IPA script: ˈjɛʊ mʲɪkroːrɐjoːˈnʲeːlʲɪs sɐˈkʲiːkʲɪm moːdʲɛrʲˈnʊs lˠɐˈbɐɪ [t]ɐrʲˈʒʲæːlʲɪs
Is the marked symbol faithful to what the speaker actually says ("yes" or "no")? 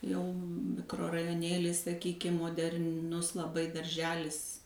no